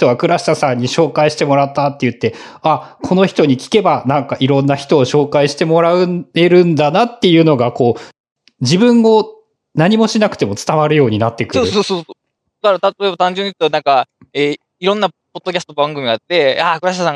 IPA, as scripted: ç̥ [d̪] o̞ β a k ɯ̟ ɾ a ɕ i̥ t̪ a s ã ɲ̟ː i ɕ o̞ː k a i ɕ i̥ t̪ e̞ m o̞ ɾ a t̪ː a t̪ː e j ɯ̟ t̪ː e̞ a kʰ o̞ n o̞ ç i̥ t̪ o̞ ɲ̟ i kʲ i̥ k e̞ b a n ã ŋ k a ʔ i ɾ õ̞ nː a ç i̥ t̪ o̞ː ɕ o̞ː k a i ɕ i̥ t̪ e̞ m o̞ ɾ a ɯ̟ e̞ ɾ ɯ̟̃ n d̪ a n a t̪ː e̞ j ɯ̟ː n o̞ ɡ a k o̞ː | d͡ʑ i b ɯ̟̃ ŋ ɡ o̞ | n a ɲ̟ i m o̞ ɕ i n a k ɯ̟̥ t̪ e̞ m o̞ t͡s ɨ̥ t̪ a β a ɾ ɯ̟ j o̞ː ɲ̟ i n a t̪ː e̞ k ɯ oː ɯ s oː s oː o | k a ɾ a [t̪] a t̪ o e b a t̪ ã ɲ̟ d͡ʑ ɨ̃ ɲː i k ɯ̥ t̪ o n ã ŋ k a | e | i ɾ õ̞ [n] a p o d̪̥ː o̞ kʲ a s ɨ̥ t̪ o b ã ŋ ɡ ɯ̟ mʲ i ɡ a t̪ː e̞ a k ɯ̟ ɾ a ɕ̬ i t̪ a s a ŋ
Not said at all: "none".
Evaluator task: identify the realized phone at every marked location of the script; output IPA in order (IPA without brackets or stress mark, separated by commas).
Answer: t̪, t̪, nː